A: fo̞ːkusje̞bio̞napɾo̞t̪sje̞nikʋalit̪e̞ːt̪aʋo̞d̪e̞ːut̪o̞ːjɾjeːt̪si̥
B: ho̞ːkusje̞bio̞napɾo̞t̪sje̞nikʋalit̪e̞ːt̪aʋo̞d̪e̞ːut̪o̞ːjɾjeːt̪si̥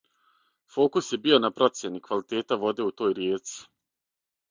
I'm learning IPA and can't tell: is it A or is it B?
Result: A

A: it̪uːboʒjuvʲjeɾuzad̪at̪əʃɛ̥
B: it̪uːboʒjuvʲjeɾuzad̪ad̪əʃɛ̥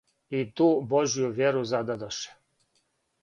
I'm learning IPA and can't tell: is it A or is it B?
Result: B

